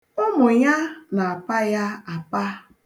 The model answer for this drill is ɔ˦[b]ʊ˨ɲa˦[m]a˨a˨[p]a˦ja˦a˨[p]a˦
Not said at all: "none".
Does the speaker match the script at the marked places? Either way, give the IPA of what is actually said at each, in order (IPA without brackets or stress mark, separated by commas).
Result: m, n, p, p